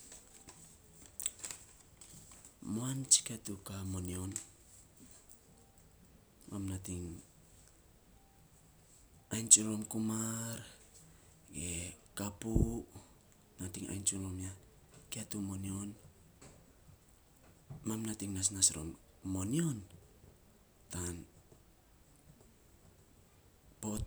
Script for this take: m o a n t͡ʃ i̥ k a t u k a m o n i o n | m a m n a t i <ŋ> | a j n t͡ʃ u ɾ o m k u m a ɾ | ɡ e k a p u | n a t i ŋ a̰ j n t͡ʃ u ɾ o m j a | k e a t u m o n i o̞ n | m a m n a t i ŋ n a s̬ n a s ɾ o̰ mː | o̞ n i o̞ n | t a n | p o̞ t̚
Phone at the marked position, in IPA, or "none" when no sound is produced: ŋ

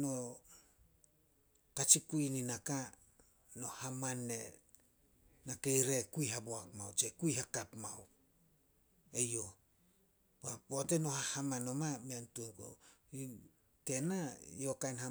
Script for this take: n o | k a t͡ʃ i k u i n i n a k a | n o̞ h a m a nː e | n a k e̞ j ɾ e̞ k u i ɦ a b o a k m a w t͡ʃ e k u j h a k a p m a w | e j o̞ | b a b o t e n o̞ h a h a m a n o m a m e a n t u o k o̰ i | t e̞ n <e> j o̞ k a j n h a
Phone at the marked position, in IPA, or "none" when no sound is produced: a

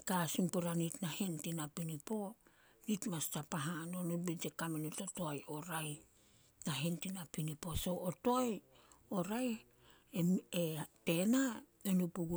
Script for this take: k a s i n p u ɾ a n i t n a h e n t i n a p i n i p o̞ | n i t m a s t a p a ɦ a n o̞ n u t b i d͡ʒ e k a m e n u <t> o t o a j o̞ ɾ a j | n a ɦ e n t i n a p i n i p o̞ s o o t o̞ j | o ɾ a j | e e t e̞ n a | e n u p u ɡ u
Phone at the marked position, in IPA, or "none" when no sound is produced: t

